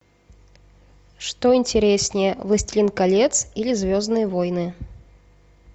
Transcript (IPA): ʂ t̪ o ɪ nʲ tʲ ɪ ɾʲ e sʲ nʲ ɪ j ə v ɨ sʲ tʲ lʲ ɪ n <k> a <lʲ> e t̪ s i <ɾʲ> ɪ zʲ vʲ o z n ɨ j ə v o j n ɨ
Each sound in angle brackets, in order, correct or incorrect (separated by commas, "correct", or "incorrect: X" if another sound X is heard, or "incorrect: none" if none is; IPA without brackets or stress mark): correct, correct, incorrect: lʲ